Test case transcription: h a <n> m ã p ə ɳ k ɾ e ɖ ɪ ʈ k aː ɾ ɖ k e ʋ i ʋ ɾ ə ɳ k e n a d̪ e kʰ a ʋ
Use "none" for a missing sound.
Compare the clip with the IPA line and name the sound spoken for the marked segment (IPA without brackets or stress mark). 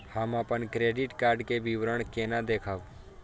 none